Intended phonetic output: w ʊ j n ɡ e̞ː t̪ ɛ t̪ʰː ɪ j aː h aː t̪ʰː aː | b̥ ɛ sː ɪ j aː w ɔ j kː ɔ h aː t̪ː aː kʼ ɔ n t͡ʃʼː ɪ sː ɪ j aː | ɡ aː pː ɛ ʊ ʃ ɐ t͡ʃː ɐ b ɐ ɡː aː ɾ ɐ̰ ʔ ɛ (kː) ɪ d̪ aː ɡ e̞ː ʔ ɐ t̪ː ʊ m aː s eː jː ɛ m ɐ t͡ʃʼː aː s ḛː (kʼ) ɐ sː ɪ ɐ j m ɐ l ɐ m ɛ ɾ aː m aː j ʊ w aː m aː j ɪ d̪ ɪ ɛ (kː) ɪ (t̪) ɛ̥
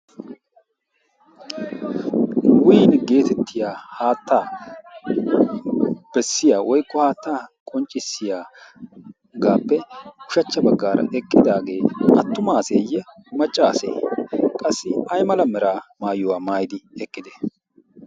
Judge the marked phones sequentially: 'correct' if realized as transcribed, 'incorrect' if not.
incorrect: kʼː, correct, incorrect: kʼː, incorrect: d̪

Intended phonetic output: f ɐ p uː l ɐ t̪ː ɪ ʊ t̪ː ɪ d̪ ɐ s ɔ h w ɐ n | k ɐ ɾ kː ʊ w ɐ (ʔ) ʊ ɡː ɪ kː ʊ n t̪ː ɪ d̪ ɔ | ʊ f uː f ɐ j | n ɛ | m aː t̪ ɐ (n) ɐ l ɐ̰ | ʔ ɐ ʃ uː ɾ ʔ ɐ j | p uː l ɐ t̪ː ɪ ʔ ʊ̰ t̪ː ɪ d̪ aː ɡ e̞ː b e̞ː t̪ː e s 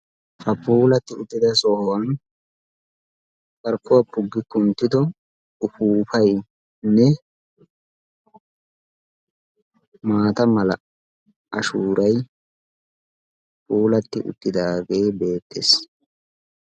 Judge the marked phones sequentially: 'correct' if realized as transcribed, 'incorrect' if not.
incorrect: p, incorrect: m

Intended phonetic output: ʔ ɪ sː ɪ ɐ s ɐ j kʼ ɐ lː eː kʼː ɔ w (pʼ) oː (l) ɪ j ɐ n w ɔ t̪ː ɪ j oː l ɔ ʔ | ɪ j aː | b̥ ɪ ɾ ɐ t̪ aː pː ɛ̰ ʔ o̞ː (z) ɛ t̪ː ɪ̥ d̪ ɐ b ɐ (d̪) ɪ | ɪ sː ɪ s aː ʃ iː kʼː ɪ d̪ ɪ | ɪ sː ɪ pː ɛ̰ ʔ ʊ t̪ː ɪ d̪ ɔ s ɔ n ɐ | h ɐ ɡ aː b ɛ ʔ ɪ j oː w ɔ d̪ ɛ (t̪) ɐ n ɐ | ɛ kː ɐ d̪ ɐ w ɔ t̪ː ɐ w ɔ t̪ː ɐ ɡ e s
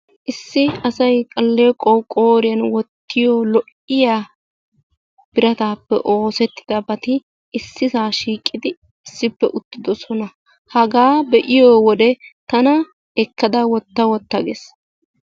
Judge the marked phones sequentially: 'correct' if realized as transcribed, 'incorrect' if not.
incorrect: kʼ, incorrect: ɾ, incorrect: s, incorrect: t̪, correct

